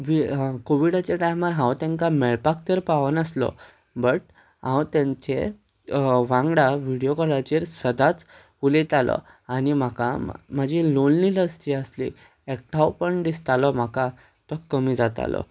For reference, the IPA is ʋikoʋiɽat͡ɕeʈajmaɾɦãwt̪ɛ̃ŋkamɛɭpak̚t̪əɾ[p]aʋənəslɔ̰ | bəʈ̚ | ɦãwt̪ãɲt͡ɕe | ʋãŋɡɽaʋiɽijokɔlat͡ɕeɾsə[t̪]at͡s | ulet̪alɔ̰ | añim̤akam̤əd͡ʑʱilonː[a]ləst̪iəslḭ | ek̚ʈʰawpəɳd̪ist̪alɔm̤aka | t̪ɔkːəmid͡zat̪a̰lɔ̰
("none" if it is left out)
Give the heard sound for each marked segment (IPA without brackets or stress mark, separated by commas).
p, d̪, i